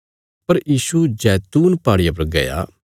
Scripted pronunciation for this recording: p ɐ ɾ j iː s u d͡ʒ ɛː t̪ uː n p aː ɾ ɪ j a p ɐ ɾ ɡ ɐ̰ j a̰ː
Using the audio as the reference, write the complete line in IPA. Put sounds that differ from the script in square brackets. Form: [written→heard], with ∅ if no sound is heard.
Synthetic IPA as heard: p ɐ ɾ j iː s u d͡ʒ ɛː t̪ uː n p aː [ɾ→ɽ] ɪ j a p ɐ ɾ ɡ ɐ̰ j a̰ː